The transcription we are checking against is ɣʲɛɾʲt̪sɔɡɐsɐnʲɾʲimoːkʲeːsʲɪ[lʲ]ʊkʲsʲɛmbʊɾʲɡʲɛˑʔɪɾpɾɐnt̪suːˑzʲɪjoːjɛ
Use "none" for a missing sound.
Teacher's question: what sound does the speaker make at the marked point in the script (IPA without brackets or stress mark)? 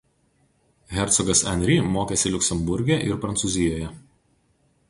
lʲ